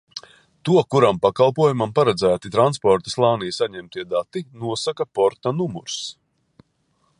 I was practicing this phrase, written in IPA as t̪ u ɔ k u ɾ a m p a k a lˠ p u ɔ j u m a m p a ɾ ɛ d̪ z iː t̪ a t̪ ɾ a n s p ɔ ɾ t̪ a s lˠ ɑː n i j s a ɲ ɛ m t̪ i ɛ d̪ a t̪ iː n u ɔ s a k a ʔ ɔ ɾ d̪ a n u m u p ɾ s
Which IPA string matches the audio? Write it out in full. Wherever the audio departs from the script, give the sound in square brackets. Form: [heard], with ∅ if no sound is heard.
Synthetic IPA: t̪ u ɔ k u ɾ a m p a k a lˠ p u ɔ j u m a m p a ɾ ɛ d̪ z [æː] t̪ [i] t̪ ɾ a n s p ɔ ɾ t̪ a s lˠ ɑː n i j s a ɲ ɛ m t̪ i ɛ d̪ a t̪ [i] n u ɔ s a k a [p] ɔ ɾ [t̪] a n u m u [∅] ɾ s